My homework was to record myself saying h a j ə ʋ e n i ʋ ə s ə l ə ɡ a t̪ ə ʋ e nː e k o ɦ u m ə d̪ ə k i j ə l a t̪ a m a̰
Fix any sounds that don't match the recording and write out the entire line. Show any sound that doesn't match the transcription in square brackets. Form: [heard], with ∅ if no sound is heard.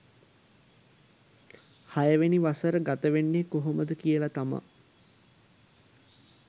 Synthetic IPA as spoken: h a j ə ʋ e n i ʋ [a] s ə [ɾ] ə ɡ a t̪ ə ʋ e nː e k o ɦ [o] m ə d̪ ə k i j ə l a t̪ a m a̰

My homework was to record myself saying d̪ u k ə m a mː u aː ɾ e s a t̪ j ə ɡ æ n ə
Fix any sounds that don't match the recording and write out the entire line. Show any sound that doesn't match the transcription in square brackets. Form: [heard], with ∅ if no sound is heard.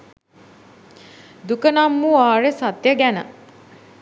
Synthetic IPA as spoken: d̪ u k ə [n] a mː u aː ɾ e s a t̪ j ə ɡ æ n ə

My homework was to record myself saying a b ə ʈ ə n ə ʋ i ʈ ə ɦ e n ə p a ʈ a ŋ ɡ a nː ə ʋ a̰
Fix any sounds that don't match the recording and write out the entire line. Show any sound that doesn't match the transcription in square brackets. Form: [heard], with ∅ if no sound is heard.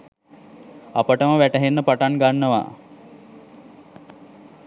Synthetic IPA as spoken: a [p] ə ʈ ə [m] ə ʋ [æ] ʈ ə ɦ e [nː] ə p a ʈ a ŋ ɡ a nː ə ʋ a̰

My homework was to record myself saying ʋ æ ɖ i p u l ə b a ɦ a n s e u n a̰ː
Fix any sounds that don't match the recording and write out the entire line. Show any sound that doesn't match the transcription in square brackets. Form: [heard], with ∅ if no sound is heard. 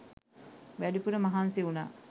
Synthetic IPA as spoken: ʋ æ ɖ i p u [ɾ] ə [m] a ɦ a n s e u n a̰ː

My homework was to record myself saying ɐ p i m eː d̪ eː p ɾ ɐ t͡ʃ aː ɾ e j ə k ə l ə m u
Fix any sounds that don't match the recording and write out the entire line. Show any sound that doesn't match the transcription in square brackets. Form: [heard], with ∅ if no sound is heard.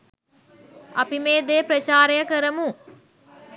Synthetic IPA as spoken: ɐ p i m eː d̪ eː p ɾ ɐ t͡ʃ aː ɾ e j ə k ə [ɾ] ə m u

